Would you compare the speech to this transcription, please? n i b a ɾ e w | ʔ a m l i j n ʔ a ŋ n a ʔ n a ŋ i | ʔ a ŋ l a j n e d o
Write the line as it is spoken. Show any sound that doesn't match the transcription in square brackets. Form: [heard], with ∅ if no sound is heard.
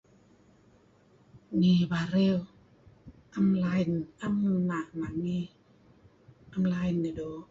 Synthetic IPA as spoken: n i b a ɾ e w | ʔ a m l [a] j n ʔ a [m] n a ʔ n a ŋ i | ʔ a [m] l a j n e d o